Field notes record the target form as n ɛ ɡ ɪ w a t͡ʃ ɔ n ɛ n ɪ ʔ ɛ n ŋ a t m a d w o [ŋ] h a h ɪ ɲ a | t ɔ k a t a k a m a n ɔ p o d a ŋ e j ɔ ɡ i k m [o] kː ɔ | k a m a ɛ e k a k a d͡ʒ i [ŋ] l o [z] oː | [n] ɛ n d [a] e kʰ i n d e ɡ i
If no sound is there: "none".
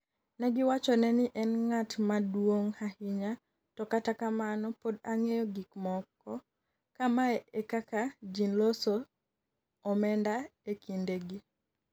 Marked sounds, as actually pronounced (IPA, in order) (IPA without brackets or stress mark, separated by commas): ŋ, ɔ, n, s, m, a